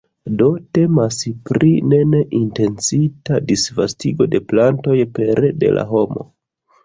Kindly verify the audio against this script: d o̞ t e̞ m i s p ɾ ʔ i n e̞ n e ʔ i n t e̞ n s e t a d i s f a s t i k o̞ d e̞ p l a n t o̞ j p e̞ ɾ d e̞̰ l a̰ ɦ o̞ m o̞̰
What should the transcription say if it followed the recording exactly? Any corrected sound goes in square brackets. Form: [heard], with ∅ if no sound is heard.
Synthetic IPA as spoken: d o̞ t e̞ m [a] s p ɾ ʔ i n e̞ n e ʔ i n t e̞ n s [i] t a d i s [v] a s t i [ɡ] o̞ d e̞ p l a n t o̞ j p e̞ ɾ d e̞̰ l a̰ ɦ o̞ m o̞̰